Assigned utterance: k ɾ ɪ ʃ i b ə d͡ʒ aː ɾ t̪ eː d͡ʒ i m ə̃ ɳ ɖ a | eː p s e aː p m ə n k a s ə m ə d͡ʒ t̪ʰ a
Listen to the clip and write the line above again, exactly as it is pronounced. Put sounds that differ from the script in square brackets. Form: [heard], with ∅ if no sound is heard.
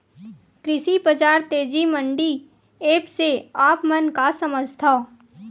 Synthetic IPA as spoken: k ɾ ɪ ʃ i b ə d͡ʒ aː ɾ t̪ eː d͡ʒ i m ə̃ ɳ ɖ [i] | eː p s e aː p m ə n k a s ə m ə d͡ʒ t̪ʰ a